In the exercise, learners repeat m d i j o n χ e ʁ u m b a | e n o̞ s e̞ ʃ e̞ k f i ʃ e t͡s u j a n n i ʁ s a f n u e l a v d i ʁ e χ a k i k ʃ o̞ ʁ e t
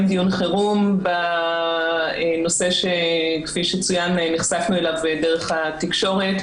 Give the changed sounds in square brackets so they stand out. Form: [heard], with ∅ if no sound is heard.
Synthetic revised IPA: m d i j [u] n χ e ʁ u m b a | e n o̞ s e̞ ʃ e̞ k f i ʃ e t͡s u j a n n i [χ] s a f n u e l a v d [e] ʁ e χ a [t] i k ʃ o̞ ʁ e t